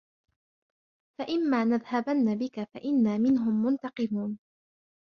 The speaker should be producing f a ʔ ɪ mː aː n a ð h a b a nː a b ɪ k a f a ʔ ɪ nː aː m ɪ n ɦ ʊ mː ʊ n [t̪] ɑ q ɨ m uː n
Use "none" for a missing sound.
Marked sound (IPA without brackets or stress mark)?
t̪